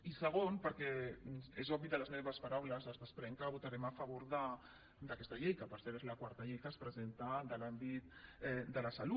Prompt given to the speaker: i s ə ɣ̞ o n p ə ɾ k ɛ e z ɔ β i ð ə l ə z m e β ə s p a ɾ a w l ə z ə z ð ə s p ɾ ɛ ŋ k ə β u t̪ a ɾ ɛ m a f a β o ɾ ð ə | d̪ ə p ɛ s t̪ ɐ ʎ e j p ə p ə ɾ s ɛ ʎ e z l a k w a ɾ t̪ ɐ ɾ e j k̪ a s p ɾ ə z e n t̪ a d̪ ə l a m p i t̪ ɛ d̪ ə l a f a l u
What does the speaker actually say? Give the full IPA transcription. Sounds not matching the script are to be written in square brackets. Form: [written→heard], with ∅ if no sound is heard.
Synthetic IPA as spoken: i s ə ɣ̞ o n p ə ɾ k ɛ e z ɔ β i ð ə l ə z m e β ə s p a ɾ a w l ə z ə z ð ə s p ɾ ɛ ŋ k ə β u t̪ a ɾ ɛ m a f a β o ɾ ð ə | d̪ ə [p→k] ɛ s t̪ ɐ ʎ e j [p→k] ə p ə ɾ s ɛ [ʎ→ɾ] e z l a k w a ɾ t̪ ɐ [ɾ→ʎ] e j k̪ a s p ɾ ə z e n t̪ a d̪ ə l a m [p→b] i t̪ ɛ d̪ ə l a [f→s] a l u

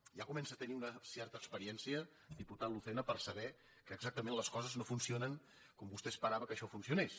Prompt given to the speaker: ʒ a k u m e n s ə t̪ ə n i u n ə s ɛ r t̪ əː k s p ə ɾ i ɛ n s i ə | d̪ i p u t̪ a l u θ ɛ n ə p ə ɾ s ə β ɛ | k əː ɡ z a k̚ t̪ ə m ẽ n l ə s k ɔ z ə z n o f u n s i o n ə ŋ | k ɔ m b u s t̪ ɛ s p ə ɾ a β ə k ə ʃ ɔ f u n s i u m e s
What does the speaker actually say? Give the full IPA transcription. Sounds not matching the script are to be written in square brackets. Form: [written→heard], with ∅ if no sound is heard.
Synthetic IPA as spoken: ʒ a k u m [e→ɛ] n s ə t̪ ə n i u n ə s ɛ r t̪ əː k s p ə ɾ i ɛ n s i ə | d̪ i p u t̪ a l u θ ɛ n ə p ə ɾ s ə β ɛ | k əː ɡ z a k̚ t̪ ə m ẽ n l ə s k ɔ z ə z n o f u n s i o n ə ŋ | k ɔ m b u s t̪ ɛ s p ə ɾ a β ə k ə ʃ ɔ f u n s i u [m→n] e s

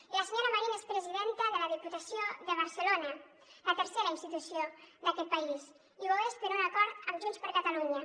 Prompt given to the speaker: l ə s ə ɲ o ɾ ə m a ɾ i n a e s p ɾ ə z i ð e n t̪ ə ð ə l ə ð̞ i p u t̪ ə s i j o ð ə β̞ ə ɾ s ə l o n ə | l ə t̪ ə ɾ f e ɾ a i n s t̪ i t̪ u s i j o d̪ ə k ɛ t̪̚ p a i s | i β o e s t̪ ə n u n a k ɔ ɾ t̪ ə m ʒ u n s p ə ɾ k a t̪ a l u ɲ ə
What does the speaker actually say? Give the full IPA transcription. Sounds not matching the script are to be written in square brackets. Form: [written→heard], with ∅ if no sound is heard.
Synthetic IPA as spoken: l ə s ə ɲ o ɾ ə m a ɾ i n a e s p ɾ ə z i ð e n t̪ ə ð ə l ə ð̞ i p u t̪ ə s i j o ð ə β̞ ə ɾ s ə l o n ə | l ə t̪ ə ɾ [f→s] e ɾ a i n s t̪ i t̪ u s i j o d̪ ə k ɛ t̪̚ p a i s | i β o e s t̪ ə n u n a k ɔ ɾ t̪ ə m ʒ u n s p ə ɾ k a t̪ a l u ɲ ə

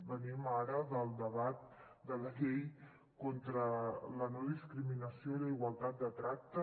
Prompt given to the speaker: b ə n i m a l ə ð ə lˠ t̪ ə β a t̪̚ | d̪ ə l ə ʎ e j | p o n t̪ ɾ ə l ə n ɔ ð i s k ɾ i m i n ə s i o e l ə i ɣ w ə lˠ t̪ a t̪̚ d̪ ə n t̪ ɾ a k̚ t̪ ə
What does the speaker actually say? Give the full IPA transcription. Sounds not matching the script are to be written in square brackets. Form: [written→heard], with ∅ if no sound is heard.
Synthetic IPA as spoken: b ə n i m a [l→ɾ] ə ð ə lˠ [t̪→d̪] ə β a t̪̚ | d̪ ə l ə ʎ e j | [p→k] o n t̪ ɾ ə l ə n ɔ ð i s k ɾ i m i n ə s i o [e→i] l ə i ɣ w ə lˠ t̪ a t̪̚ d̪ ə [n→∅] t̪ ɾ a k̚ t̪ ə

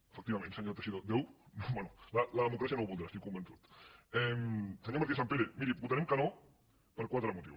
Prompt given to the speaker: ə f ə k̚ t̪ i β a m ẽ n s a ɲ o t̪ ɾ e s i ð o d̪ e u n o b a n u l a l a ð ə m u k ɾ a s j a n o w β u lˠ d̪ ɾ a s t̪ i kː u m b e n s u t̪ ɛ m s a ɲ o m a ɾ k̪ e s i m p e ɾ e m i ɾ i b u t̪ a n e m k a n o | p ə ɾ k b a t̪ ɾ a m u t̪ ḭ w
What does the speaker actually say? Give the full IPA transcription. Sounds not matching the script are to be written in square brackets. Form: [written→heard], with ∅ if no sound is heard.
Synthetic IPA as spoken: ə f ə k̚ t̪ i β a m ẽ n s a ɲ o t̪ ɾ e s i ð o d̪ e [u→w] n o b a n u l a l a ð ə m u k ɾ a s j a n o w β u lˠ d̪ ɾ a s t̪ i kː u m b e n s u t̪ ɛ m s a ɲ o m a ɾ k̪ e s [i→a] m p e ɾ e m i ɾ i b u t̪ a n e m k a n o | p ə ɾ k [b→w] a t̪ ɾ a m u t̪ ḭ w

